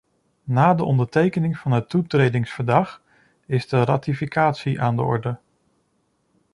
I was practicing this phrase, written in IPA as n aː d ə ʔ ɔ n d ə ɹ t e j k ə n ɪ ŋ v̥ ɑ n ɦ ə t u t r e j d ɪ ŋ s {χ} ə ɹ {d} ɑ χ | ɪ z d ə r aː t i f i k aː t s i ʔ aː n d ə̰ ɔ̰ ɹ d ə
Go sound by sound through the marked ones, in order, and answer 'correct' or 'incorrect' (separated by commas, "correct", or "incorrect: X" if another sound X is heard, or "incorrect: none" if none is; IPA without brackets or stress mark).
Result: incorrect: f, correct